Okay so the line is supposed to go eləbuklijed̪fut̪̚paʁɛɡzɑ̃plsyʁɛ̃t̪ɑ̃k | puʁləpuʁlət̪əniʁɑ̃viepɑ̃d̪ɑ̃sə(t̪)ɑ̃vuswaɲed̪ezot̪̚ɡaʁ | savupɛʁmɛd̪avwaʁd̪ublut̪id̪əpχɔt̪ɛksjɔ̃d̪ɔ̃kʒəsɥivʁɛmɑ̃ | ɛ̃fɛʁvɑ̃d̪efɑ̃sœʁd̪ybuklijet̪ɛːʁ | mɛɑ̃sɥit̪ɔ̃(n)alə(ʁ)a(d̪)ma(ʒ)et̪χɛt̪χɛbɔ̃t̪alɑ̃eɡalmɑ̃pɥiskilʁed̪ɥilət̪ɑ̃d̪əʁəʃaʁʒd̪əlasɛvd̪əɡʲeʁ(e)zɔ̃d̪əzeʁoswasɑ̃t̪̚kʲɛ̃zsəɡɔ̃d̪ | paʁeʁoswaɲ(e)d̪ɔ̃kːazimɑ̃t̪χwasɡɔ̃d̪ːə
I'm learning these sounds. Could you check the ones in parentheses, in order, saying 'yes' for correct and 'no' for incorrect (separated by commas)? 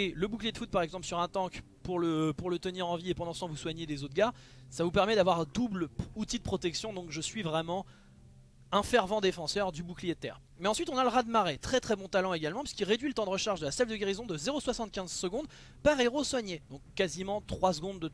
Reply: yes, yes, yes, yes, no, no, yes